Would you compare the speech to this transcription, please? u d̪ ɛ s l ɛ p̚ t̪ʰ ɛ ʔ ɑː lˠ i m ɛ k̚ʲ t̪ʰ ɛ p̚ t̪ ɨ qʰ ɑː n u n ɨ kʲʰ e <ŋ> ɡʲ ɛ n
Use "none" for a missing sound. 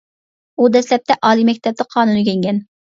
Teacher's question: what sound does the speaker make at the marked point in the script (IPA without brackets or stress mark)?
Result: ŋ